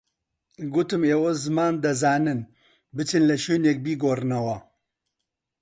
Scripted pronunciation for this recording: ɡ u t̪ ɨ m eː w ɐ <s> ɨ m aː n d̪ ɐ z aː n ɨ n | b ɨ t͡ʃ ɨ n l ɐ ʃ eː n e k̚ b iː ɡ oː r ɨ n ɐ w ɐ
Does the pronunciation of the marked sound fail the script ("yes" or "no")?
yes